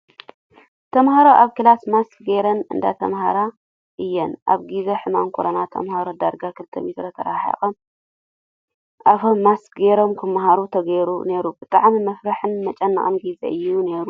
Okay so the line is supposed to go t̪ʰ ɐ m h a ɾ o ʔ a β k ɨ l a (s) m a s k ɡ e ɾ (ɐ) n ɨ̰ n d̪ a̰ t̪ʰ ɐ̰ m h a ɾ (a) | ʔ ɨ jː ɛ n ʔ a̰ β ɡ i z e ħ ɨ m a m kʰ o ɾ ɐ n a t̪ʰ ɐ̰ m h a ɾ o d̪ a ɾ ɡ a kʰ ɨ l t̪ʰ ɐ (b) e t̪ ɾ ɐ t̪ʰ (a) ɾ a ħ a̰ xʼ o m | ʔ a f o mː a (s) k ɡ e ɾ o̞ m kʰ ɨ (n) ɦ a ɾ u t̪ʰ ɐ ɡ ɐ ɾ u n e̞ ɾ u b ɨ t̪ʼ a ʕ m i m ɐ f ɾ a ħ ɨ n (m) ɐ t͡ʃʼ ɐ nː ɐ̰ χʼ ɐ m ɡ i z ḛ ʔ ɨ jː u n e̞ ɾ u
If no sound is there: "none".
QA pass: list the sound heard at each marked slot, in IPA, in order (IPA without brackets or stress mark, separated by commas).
s, ɐ, a, m, ɐ, s, m, m